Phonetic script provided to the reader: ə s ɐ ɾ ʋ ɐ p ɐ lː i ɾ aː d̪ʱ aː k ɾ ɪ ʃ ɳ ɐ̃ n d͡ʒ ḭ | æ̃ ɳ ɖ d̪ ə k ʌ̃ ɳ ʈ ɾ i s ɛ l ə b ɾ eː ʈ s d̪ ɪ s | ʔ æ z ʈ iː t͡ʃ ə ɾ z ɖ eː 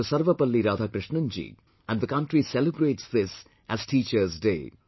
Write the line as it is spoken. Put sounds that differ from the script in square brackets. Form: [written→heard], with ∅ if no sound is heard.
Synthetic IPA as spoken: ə s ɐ ɾ ʋ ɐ p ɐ lː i ɾ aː d̪ʱ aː k ɾ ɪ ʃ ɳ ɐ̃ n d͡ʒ ḭ | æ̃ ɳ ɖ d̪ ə k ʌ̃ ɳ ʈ ɾ i s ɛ l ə b ɾ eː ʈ s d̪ ɪ s | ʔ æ z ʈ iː t͡ʃ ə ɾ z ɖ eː

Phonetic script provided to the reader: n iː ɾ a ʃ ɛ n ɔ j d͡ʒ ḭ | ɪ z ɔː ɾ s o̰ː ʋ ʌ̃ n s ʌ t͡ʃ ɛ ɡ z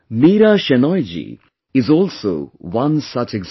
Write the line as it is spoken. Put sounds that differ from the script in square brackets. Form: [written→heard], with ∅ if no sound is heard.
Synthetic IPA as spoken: [n→m] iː ɾ a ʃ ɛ n ɔ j d͡ʒ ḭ | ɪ z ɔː [ɾ→l] s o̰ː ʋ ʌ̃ n s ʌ t͡ʃ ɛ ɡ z

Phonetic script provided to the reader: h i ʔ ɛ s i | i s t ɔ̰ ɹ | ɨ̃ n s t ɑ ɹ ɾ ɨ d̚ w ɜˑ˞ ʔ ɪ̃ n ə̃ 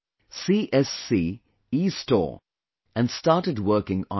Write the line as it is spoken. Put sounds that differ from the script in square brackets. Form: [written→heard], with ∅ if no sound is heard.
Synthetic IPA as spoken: [h→s] i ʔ ɛ s i | i s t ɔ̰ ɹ | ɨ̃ n s t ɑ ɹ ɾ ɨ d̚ w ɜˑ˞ [ʔ→k] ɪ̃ [n→ŋ] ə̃

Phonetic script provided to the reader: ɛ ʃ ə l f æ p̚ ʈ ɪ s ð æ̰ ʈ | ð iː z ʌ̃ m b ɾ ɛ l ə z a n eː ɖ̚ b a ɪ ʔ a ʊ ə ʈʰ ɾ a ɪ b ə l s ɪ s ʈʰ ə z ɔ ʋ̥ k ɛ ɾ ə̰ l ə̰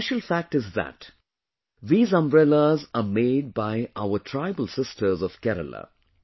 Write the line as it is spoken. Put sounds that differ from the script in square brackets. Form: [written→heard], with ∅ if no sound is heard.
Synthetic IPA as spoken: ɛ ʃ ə l f æ [p̚→k̚] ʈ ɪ [s→z] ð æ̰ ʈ | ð iː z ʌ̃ m b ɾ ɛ l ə z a [n→m] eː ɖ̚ b a ɪ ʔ a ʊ ə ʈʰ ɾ a ɪ b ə l s ɪ s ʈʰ ə z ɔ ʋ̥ k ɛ ɾ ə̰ l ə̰

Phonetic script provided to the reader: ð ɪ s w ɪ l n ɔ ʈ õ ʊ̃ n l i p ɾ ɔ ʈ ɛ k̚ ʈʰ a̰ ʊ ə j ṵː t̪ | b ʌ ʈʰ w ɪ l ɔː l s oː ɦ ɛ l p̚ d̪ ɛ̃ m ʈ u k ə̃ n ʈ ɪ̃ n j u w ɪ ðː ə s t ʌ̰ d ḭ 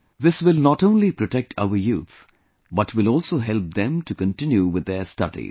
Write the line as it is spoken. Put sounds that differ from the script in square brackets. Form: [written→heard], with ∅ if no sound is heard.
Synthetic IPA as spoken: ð ɪ s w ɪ l n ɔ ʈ õ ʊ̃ n l i p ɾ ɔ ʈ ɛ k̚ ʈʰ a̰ ʊ ə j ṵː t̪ | b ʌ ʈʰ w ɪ l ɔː l s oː ɦ ɛ l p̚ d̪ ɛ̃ m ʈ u k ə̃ n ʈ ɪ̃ n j u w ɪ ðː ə s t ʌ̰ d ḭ

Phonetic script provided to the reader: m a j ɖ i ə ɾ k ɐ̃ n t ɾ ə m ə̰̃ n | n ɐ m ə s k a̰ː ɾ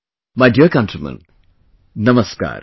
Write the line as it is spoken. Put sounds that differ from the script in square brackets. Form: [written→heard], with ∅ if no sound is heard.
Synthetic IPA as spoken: m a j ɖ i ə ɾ k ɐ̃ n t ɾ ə m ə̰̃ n | n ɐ m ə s k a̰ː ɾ

